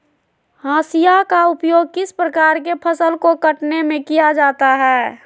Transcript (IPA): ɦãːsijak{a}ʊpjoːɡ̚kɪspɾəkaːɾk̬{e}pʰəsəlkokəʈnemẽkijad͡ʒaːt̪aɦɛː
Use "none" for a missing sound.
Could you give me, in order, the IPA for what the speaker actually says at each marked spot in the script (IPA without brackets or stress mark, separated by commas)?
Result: a, e